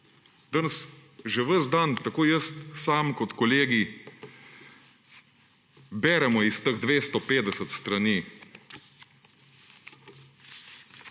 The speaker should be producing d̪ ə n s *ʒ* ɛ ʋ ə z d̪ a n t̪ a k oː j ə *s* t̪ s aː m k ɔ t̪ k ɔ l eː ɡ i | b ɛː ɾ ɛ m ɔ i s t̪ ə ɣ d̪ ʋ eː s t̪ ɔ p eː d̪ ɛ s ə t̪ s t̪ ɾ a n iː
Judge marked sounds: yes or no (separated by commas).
yes, yes